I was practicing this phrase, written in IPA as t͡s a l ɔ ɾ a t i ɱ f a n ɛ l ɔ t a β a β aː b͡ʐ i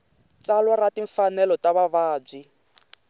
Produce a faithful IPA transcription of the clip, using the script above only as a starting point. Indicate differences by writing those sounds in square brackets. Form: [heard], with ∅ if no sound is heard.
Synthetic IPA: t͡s a l ɔ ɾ a t i ɱ f a n ɛ l ɔ t a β a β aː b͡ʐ i

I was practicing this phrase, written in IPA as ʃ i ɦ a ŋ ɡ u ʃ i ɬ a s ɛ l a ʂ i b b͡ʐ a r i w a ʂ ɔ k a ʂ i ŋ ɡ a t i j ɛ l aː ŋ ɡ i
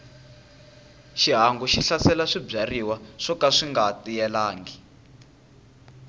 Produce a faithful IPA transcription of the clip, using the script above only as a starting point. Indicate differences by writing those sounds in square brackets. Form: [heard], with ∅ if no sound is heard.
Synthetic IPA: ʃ i ɦ a ŋ ɡ u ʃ i ɬ a s ɛ l a ʂ i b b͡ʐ a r i w a ʂ ɔ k a ʂ i ŋ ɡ a t i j ɛ l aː ŋ ɡ i

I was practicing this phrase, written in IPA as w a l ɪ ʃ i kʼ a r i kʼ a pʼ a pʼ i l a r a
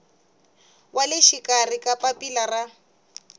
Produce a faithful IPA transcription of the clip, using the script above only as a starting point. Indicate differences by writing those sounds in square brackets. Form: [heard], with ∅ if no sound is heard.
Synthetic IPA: w a l ɪ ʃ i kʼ a r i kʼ a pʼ a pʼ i l a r a

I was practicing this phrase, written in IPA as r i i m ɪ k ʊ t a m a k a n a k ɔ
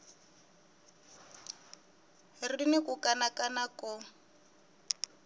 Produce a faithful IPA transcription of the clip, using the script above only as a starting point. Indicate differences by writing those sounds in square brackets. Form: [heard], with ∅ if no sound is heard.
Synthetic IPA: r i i [n] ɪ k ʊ [k] a [n] a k a n a k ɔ

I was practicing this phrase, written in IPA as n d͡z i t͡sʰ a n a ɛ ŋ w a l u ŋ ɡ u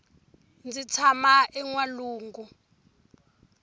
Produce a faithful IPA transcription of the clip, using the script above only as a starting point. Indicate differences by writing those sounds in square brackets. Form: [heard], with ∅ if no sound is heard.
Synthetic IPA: n d͡z i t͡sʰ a [m] a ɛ ŋ w a l [uː] ŋ ɡ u

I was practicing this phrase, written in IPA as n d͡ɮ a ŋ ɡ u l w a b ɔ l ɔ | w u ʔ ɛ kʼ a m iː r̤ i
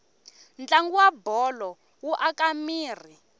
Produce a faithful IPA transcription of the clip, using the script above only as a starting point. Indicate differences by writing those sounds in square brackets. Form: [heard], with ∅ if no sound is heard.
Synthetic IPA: n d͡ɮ a ŋ ɡ u [∅] w a b ɔ l ɔ | w u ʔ [a] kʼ a m iː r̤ i

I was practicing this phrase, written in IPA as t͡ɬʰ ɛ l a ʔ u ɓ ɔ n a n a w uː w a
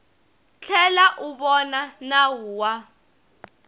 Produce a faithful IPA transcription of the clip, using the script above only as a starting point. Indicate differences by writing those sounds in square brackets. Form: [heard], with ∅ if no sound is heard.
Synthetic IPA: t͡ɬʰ ɛ l a ʔ u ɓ ɔ n a n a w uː w a

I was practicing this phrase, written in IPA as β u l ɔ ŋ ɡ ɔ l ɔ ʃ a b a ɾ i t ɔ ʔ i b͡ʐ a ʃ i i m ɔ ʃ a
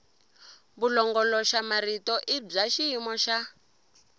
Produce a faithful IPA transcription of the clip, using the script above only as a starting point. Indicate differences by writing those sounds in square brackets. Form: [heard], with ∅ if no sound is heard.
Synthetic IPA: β u l ɔ ŋ ɡ ɔ l ɔ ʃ a [m] a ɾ i t ɔ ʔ i b͡ʐ a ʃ i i m ɔ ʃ a

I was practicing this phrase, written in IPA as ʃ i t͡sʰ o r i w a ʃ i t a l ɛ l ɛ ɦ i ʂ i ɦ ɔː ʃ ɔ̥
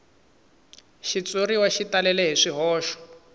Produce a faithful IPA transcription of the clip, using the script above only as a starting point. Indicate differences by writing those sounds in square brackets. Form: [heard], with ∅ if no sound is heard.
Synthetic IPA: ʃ i [t͡s] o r i w a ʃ i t a l ɛ l ɛ ɦ i ʂ i ɦ ɔː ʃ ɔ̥

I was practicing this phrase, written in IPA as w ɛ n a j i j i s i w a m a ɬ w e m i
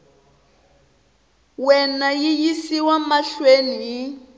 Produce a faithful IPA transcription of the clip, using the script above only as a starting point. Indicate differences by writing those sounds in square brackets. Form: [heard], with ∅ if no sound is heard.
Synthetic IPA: w ɛ n a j i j i s i w a m a ɬ w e [n] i

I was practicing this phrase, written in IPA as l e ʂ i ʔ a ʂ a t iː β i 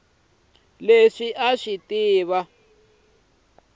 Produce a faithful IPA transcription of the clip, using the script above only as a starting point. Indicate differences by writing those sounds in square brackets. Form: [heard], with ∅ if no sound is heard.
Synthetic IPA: l e ʂ i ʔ a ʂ [i] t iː β [a]

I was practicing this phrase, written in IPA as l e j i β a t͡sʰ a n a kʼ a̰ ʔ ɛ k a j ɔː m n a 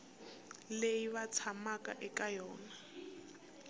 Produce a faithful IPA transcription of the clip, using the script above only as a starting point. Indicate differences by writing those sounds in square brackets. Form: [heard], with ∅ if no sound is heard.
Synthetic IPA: l e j i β a t͡sʰ a [m] a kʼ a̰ ʔ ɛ k a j ɔː [∅] n a

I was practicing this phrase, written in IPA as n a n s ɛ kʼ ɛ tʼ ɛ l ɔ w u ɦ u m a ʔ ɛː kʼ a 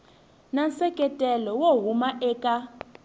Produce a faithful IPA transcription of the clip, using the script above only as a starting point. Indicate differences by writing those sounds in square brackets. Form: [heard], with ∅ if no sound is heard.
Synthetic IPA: n a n s ɛ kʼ ɛ tʼ ɛ l ɔ w [o] ɦ u m a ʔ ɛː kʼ a

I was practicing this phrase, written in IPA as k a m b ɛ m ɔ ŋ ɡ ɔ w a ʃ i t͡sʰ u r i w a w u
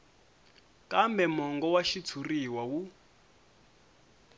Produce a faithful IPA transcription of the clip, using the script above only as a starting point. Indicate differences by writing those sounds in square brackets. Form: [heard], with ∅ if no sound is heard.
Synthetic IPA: k a m b ɛ m ɔ ŋ ɡ ɔ w a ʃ i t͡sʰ u r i w a w u

